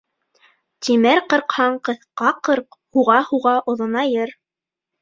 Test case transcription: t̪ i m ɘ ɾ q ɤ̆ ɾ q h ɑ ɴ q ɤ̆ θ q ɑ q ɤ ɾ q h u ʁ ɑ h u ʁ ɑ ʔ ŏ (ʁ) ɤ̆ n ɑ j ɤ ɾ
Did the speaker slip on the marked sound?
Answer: yes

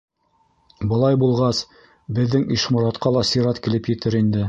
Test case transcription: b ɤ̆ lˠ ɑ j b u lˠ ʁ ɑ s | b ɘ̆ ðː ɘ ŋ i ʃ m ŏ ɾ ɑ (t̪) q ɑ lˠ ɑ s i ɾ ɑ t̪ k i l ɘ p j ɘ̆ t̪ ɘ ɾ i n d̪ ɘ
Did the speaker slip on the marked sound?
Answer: no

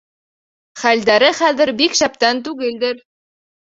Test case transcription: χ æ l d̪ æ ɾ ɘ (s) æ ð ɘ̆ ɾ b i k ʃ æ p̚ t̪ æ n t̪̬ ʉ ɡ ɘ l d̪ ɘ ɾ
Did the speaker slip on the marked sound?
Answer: yes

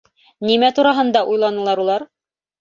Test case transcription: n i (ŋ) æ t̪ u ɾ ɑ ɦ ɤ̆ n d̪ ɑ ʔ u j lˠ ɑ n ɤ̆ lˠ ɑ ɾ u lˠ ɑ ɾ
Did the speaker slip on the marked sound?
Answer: yes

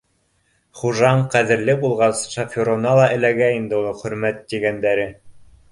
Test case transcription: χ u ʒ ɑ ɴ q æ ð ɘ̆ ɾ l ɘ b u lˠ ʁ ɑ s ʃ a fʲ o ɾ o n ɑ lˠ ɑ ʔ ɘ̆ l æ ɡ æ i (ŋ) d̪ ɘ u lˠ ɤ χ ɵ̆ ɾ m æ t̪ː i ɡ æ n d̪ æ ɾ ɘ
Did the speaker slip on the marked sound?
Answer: yes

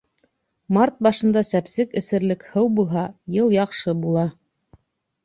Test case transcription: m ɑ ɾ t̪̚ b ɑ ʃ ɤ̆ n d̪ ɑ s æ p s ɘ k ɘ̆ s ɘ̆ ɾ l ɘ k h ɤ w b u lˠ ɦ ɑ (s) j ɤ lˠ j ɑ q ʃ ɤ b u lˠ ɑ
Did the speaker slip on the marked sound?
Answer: yes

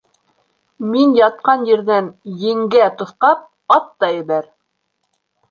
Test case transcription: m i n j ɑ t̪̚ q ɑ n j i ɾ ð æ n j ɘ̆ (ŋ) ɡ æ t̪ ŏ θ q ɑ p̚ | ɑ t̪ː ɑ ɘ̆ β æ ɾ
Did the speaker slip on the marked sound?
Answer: no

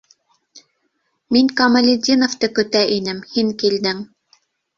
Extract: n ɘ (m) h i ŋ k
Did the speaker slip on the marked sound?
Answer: no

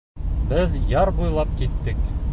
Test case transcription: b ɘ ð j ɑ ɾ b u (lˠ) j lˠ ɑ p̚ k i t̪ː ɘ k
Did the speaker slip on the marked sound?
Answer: yes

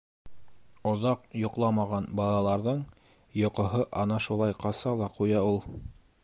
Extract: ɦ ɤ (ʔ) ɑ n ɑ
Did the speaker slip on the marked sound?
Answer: no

